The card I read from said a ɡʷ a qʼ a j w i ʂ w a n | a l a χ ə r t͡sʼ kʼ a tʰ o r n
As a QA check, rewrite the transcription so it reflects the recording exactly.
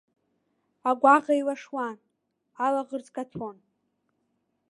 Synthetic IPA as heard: a ɡʷ a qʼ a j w a ʂ w a n | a l a ʁ ə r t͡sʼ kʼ a tʰ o n